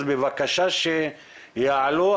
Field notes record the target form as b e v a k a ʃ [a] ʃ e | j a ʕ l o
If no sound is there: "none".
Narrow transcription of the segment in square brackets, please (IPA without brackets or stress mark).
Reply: a